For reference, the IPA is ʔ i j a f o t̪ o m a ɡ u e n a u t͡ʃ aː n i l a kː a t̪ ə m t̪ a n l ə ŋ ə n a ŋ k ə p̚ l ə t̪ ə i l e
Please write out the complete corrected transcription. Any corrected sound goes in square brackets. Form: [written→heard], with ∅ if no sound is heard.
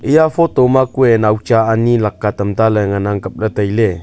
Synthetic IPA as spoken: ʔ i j a f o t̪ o m a [ɡ→k] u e n a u t͡ʃ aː n i l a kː a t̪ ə m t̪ a [n→∅] l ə ŋ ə n a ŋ k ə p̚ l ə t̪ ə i l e